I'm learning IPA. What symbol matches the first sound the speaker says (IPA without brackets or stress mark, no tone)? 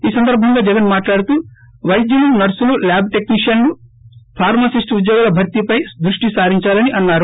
iː